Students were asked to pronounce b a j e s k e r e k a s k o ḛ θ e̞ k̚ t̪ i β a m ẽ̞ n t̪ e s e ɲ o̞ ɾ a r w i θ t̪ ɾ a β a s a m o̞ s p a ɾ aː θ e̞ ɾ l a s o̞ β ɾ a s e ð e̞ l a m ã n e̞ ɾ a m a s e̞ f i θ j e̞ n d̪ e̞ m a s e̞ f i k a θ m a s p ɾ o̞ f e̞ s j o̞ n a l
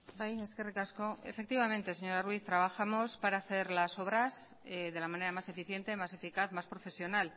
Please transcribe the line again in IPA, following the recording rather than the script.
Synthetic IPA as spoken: b a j e s k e r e k a s k o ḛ f e̞ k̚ t̪ i β a m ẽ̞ n t̪ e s e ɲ o̞ ɾ a r w i θ t̪ ɾ a β a x a m o̞ s p a ɾ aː θ e̞ ɾ l a s o̞ β ɾ a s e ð e̞ l a m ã n e̞ ɾ a m a s e̞ f i θ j e̞ n t̪ e̞ m a s e̞ f i k a θ m a s p ɾ o̞ f e̞ s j o̞ n a l